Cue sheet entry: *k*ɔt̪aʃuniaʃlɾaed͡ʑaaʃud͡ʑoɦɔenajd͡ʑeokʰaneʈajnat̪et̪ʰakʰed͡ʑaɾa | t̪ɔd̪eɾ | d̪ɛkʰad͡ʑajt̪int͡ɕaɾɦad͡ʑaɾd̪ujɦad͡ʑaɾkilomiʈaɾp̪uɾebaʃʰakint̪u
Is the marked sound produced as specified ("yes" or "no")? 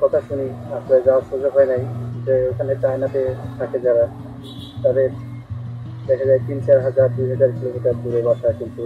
yes